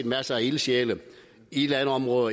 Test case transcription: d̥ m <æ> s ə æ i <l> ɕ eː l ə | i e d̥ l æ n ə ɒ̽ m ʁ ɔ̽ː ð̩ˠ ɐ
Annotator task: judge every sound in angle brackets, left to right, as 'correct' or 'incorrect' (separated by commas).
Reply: correct, correct